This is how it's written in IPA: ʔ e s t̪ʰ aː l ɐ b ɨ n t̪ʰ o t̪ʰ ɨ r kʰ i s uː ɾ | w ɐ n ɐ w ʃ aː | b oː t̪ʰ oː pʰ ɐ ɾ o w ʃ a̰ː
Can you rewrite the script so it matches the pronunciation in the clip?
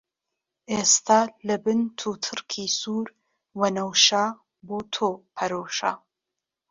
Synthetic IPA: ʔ e s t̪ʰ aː l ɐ b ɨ n t̪ʰ u t̪ʰ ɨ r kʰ i s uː ɾ | w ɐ n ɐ w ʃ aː | b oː t̪ʰ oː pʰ ɐ ɾ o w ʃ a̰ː